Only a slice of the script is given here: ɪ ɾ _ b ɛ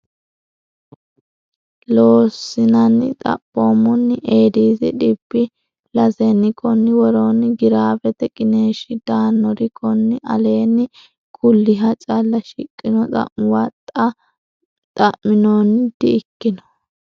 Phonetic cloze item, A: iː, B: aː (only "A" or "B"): B